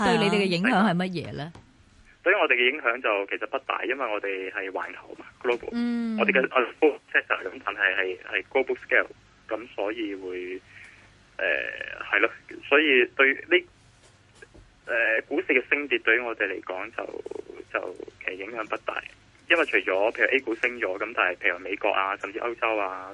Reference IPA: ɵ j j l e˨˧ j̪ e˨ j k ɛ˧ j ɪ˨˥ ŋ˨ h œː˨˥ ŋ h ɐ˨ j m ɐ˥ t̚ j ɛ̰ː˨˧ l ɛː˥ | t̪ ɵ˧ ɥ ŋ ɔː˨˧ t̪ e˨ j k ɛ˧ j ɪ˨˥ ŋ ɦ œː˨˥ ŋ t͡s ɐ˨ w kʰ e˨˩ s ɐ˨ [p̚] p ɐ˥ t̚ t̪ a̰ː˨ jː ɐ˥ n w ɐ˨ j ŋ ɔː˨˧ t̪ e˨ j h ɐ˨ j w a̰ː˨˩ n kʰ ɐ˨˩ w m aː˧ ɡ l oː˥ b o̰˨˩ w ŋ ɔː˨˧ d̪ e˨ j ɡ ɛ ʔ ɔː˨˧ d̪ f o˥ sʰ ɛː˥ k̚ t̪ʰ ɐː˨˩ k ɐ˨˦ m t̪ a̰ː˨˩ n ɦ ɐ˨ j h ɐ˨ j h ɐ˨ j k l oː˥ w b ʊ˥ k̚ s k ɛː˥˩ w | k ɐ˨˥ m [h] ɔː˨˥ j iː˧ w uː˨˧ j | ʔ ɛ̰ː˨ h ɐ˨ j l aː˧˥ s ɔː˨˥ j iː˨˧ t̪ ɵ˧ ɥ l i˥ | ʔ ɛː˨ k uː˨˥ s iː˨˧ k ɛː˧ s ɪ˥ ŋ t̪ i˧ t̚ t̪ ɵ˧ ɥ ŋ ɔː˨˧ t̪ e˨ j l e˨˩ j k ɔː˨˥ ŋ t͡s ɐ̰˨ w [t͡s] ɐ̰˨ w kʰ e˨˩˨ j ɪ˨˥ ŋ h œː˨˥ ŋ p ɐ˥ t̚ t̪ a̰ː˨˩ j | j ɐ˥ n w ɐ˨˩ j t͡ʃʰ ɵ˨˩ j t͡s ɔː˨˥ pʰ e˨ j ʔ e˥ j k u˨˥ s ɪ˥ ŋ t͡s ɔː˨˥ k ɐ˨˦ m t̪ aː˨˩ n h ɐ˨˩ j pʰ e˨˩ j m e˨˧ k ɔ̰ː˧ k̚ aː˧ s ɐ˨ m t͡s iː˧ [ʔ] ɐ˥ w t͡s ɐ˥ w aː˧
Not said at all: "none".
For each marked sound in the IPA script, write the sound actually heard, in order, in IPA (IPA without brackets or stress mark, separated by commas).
t̚, s, t͡s, ʔ